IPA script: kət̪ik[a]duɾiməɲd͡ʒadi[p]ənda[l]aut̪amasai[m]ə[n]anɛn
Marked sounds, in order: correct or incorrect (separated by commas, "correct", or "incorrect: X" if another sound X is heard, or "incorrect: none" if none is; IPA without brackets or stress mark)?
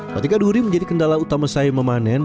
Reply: correct, incorrect: k, correct, correct, incorrect: m